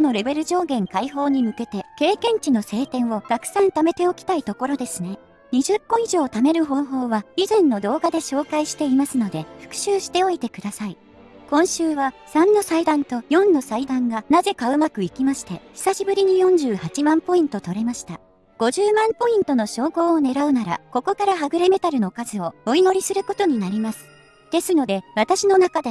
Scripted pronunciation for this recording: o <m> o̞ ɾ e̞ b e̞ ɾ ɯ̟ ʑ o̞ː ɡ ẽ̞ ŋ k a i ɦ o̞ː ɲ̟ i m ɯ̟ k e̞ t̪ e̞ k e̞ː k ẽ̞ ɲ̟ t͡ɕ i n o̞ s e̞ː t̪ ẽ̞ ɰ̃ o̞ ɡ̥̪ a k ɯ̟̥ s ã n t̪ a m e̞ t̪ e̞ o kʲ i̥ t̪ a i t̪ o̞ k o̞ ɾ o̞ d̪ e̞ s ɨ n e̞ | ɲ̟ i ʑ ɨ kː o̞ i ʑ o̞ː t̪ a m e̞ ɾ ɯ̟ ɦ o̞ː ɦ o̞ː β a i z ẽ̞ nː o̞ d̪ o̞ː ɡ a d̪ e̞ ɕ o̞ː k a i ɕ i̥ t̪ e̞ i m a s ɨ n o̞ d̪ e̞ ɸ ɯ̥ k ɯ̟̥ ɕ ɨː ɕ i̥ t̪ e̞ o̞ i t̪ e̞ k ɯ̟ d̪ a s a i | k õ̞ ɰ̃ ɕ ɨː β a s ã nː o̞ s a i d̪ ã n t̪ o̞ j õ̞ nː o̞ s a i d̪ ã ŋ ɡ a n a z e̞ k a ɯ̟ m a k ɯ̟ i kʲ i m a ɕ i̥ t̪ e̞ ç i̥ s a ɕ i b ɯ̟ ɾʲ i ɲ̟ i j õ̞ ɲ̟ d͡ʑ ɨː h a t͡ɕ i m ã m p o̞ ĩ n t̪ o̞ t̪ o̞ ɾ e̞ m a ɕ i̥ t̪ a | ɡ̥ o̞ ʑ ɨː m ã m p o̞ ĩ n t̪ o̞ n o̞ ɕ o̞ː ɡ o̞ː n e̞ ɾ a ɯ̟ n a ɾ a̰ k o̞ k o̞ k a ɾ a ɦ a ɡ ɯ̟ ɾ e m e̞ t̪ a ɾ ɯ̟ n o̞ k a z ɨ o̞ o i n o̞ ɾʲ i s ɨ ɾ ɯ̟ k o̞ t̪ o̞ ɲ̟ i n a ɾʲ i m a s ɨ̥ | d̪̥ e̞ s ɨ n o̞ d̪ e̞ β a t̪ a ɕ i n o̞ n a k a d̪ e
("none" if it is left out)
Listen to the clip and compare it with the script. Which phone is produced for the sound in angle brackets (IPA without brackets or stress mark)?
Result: n